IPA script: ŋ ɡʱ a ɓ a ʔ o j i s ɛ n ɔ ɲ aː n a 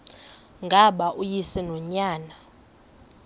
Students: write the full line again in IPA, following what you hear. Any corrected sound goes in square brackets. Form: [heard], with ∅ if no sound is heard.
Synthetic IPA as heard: ŋ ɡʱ a ɓ a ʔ [u] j i s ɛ n ɔ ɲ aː n a